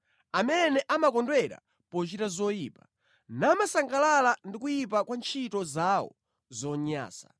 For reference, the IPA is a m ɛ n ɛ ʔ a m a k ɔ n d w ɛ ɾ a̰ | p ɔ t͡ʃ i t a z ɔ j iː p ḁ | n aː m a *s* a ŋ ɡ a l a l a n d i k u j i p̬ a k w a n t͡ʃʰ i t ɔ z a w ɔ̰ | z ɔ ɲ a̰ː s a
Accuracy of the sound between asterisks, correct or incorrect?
correct